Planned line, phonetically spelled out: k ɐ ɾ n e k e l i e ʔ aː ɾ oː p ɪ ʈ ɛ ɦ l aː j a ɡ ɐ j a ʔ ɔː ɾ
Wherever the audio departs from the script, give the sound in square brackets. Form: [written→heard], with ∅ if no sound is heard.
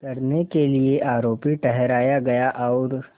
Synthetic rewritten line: k ɐ ɾ n e k e l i e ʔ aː ɾ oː p [ɪ→i] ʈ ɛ ɦ [l→ɾ] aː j a ɡ ɐ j a ʔ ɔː ɾ

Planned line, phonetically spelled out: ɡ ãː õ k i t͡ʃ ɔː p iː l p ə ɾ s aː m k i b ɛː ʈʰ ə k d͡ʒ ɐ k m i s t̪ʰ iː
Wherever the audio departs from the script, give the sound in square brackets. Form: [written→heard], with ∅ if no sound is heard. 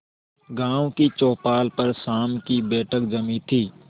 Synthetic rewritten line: ɡ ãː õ k i t͡ʃ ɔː p [iː→aː] l p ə ɾ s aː m k i b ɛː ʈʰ ə k d͡ʒ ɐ [k→∅] m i [s→∅] t̪ʰ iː

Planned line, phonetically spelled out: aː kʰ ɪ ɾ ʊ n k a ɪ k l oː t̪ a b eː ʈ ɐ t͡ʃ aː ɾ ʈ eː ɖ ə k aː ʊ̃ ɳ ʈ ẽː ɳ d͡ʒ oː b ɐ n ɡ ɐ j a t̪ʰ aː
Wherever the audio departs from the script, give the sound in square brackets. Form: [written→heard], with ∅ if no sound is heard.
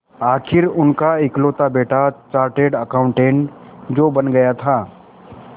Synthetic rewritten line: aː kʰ ɪ ɾ ʊ n k a ɪ k l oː t̪ a b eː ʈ [ɐ→a] t͡ʃ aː ɾ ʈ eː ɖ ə k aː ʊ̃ ɳ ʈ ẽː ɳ d͡ʒ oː b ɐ n ɡ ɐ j a t̪ʰ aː

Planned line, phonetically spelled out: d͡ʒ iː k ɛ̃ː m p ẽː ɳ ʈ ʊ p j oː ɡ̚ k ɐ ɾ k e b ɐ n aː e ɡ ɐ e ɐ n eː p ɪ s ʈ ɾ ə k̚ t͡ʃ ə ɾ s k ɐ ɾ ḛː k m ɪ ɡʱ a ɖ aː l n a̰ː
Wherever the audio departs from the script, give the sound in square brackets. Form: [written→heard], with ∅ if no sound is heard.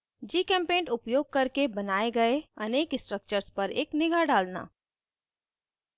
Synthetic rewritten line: d͡ʒ iː k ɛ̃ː m p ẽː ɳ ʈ ʊ p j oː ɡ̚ k ɐ ɾ k e b ɐ n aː e ɡ ɐ e ɐ n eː [p→k] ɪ s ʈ ɾ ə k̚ t͡ʃ ə ɾ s [k→p] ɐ ɾ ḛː k [m→n] ɪ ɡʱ a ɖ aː l n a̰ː

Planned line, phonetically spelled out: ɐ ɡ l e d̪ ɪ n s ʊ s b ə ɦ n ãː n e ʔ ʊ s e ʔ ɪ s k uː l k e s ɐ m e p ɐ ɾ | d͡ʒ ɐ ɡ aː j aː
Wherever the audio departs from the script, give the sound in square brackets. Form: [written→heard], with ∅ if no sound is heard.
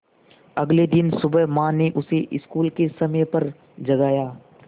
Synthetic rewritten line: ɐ ɡ l e d̪ ɪ n s ʊ [s→∅] b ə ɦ [n→m] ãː n e ʔ ʊ s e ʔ ɪ s k uː l k e s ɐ m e p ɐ ɾ | d͡ʒ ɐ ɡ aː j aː

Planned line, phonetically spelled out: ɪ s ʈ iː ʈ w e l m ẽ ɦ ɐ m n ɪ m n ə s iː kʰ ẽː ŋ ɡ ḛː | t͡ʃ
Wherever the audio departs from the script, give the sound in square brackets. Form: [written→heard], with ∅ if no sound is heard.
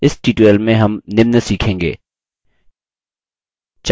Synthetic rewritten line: ɪ s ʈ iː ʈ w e l m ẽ ɦ ɐ m n ɪ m n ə s iː kʰ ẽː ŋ ɡ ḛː | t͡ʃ

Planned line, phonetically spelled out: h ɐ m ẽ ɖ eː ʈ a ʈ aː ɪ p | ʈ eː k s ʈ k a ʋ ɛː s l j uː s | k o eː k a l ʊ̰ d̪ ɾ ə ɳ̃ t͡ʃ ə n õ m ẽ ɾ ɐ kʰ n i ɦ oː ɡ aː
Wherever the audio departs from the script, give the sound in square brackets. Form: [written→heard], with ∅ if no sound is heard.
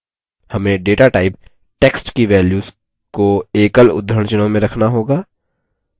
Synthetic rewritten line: h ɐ m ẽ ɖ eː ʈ a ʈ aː ɪ p | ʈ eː k s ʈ k [a→i] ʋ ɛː [s→∅] l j uː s | k o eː k [a→ə] l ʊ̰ d̪ ɾ ə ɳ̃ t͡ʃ ə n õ m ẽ ɾ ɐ kʰ n [i→a] ɦ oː ɡ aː

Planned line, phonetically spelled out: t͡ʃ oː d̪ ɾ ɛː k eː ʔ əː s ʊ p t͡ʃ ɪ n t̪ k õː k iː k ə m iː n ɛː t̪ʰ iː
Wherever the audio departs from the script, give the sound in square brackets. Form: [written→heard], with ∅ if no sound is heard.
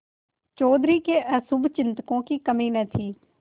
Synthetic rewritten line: t͡ʃ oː d̪ ɾ [ɛː→iː] k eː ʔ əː s ʊ [p→b] t͡ʃ ɪ n t̪ k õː k iː k ə m iː n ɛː t̪ʰ iː

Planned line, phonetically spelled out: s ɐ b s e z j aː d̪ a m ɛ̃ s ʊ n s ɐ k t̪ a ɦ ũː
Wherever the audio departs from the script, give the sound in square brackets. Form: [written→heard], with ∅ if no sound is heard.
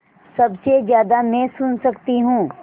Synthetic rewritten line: s ɐ b s e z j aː d̪ a m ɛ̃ s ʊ n s ɐ k t̪ [a→i] ɦ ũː

